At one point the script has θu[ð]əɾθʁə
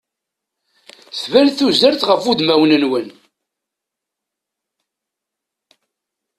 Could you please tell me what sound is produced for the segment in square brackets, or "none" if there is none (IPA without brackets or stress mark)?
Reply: z